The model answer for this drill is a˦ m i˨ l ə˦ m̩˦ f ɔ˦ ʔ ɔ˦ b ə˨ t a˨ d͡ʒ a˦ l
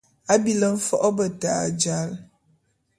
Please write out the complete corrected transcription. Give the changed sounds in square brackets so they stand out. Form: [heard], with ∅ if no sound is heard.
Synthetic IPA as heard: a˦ [b] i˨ l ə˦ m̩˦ f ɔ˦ ʔ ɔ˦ b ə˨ t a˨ d͡ʒ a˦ l